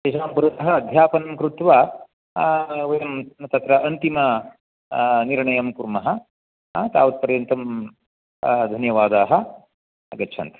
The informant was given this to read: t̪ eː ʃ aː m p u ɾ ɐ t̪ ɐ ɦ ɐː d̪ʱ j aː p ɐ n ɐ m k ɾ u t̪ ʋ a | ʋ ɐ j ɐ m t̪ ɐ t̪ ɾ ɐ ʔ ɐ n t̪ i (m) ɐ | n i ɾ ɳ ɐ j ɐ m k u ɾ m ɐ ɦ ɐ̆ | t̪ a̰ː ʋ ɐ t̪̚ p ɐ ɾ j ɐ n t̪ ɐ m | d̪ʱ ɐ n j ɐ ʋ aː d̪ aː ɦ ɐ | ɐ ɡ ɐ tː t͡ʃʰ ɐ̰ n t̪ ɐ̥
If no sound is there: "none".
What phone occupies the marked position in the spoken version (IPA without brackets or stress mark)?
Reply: m